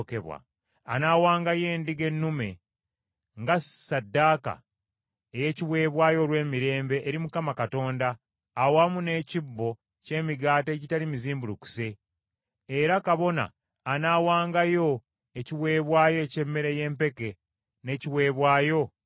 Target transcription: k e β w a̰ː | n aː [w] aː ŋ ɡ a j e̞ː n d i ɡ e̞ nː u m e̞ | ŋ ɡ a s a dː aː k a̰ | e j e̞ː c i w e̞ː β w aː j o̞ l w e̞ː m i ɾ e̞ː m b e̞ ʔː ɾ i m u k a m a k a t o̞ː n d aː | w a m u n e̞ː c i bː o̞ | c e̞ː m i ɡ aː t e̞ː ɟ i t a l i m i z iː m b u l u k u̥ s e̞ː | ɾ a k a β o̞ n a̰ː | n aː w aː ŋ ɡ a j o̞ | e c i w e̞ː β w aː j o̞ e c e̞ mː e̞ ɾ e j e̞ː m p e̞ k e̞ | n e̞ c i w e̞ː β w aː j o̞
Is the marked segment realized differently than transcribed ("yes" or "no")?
no